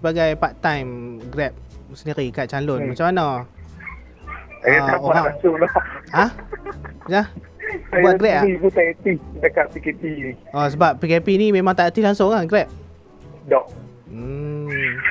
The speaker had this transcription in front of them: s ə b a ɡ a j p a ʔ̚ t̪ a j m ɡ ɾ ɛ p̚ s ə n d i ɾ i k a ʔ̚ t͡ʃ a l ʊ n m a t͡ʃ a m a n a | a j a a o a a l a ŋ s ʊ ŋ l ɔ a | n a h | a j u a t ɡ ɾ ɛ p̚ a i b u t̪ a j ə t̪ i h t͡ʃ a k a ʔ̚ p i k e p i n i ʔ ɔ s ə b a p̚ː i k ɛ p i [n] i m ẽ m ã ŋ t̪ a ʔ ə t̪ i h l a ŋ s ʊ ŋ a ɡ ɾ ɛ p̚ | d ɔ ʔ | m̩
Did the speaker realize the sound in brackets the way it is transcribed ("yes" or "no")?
yes